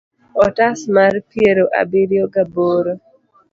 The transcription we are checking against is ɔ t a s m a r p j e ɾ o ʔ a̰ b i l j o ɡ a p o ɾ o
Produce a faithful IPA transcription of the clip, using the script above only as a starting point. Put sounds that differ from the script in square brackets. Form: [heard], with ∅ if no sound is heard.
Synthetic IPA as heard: ɔ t a s m a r p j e ɾ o ʔ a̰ b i [ɾ] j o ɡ a [b] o ɾ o